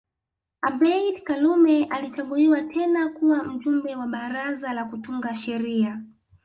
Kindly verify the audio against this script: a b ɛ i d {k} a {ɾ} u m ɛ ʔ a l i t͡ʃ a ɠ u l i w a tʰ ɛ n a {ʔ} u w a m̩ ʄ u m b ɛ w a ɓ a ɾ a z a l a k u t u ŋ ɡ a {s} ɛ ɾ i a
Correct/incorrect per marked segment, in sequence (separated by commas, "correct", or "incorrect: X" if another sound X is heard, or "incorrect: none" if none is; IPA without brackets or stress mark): correct, incorrect: l, incorrect: k, incorrect: ʃ